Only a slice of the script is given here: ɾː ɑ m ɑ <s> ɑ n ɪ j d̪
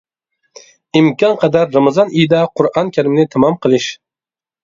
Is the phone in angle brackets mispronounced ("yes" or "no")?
yes